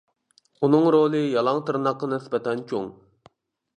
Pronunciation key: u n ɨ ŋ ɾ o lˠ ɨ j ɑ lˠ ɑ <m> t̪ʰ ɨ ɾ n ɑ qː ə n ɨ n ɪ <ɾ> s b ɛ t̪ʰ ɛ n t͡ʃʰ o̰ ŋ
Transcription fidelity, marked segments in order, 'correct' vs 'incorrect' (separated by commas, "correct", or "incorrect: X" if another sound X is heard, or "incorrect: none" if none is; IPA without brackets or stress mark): incorrect: ŋ, incorrect: none